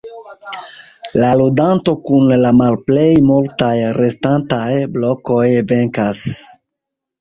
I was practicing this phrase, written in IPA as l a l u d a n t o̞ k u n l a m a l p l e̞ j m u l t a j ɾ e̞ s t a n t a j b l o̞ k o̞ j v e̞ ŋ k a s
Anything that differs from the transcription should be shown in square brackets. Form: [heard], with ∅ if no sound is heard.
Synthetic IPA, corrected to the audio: l a l u d a n t o̞ k u n l a m a l p l e̞ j m u l t a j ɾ e̞ s t a n t a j b l o̞ k o̞ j v e̞ ŋ k a s